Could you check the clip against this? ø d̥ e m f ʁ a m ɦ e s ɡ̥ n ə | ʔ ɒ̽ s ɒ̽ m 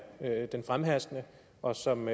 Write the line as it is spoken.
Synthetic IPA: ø d̥ e n f ʁ a m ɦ æ s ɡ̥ n ə | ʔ ɒ̽ s ɒ̽ m